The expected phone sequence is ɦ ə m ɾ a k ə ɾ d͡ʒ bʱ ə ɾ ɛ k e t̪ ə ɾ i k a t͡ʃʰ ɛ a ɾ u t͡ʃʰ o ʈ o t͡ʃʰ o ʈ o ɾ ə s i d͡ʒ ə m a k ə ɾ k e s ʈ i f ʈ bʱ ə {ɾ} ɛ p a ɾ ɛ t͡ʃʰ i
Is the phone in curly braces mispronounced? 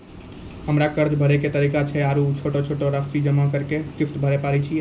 no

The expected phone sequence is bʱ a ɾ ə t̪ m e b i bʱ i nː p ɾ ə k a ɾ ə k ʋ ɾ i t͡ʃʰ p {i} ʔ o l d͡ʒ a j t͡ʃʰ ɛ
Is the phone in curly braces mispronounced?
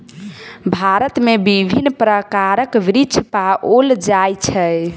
yes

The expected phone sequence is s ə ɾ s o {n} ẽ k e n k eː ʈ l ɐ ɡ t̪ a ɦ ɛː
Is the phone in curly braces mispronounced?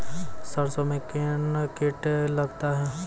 yes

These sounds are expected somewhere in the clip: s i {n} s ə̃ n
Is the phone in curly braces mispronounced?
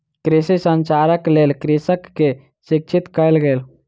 yes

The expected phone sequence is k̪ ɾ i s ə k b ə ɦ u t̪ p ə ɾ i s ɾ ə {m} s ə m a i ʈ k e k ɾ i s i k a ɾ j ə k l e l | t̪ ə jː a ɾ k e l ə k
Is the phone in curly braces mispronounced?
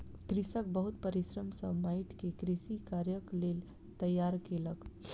no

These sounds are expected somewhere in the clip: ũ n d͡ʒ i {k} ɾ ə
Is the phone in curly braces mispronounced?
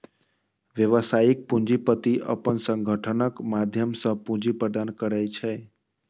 yes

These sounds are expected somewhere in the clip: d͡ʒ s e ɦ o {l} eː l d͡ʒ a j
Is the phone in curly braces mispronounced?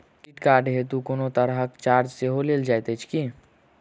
no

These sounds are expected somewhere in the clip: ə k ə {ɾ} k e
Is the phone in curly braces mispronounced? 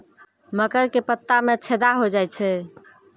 no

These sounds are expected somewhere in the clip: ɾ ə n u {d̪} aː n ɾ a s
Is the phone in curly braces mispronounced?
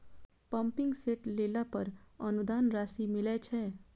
no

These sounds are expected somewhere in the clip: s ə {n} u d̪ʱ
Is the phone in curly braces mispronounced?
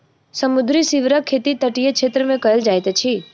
yes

